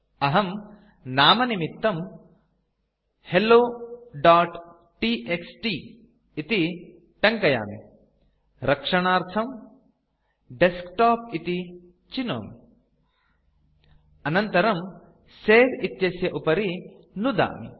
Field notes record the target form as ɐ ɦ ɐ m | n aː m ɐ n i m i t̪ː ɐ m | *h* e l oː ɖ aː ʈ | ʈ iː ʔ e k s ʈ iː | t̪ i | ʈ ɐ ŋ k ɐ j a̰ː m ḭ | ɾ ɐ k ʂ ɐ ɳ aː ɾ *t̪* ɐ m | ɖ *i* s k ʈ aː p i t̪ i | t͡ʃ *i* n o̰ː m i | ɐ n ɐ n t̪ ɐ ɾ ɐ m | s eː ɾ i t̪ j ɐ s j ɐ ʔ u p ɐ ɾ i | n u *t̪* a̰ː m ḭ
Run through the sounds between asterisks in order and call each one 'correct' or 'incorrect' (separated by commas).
correct, incorrect, incorrect, correct, incorrect